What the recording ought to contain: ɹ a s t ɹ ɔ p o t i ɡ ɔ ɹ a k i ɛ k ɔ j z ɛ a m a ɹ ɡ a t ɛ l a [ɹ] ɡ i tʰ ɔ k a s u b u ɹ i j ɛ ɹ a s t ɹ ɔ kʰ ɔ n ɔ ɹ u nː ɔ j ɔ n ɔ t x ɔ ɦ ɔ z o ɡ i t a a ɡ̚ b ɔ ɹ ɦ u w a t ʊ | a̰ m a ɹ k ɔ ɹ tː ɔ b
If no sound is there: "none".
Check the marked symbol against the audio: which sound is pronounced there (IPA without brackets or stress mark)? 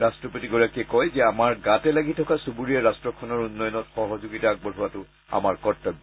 none